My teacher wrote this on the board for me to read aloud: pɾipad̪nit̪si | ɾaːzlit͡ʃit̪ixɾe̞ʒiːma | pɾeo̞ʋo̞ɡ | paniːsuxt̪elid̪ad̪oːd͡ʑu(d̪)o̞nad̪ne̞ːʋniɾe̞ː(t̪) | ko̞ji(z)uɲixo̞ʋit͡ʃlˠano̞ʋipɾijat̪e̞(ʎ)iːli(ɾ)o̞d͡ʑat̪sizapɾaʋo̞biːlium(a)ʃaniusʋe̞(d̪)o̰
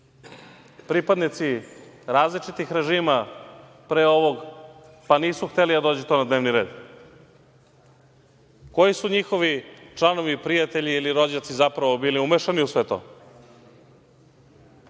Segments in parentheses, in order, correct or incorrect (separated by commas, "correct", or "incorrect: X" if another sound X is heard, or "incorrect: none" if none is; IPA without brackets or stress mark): incorrect: t̪, incorrect: d̪, incorrect: s, correct, correct, incorrect: e, incorrect: t̪